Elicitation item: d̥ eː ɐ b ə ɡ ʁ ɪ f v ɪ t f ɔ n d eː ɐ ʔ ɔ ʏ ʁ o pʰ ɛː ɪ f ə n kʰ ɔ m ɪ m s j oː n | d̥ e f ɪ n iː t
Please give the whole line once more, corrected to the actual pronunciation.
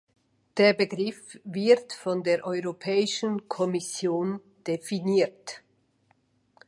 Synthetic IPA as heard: d̥ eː ɐ b ə ɡ ʁ ɪ f v ɪ t f ɔ n d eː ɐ ʔ ɔ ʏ ʁ o pʰ ɛː ɪ ʃ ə n kʰ ɔ m ɪ s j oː n | d̥ e f i n iː t